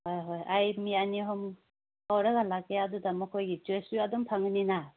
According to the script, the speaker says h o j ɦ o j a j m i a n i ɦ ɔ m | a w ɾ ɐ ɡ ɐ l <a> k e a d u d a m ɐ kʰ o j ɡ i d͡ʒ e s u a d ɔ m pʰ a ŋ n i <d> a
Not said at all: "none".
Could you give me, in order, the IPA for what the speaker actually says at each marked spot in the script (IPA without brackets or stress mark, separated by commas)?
a, n